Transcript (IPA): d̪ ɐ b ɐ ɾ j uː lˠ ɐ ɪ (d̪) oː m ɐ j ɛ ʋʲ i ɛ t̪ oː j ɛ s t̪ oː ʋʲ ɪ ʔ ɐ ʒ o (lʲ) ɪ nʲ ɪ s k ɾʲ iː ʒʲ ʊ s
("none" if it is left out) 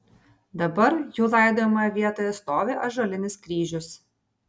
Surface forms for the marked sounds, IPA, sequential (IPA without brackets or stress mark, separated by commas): d̪, lʲ